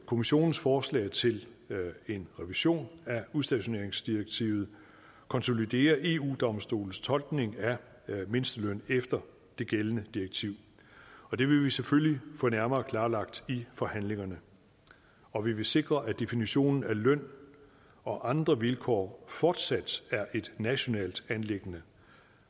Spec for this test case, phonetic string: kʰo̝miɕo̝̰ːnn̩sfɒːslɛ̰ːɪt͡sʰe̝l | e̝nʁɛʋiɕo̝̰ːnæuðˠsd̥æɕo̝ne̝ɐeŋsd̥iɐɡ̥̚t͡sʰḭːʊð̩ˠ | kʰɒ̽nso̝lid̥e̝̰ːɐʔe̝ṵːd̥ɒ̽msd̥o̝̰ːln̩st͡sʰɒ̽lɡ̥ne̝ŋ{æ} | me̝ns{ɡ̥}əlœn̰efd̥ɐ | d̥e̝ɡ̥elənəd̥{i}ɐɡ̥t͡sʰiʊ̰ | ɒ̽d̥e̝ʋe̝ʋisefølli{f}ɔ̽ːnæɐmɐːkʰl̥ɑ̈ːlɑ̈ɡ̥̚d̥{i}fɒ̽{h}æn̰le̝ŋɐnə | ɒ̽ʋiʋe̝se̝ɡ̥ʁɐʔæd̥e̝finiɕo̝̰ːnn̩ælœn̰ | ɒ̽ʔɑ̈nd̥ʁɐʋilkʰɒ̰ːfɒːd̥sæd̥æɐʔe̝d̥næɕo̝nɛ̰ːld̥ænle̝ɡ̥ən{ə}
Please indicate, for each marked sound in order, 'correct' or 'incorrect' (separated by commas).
correct, incorrect, correct, correct, correct, correct, correct